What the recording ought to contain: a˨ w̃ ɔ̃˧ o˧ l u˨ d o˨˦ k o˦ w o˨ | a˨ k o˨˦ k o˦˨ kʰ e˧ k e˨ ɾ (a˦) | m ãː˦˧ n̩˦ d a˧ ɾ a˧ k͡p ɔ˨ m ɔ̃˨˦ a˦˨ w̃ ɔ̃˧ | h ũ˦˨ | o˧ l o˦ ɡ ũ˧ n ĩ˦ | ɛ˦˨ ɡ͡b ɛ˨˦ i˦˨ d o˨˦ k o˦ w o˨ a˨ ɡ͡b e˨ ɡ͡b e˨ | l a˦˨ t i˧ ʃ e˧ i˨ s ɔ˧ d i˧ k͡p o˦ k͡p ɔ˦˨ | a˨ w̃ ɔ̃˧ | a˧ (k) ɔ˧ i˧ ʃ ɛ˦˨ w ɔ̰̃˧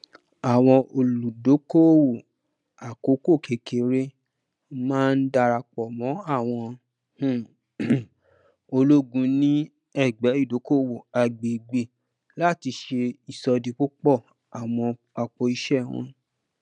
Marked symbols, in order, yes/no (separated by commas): no, no